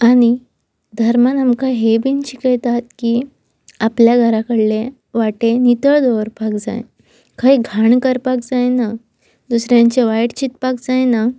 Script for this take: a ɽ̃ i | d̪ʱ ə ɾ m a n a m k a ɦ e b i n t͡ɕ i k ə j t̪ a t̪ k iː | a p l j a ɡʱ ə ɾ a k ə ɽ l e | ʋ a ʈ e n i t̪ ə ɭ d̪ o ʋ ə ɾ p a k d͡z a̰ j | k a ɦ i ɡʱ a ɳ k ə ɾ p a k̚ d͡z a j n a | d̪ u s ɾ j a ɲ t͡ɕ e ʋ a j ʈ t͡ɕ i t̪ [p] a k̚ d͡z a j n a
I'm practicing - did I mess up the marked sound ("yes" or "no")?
no